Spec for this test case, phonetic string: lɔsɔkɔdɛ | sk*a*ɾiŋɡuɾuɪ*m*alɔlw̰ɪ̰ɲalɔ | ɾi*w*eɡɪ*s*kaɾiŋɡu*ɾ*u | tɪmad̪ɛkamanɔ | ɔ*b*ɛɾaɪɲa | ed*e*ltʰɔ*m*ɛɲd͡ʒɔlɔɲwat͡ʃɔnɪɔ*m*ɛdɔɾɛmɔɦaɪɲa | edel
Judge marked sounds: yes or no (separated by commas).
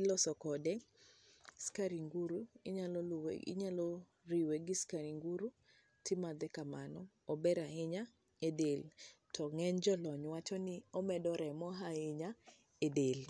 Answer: yes, no, yes, yes, yes, yes, yes, no, yes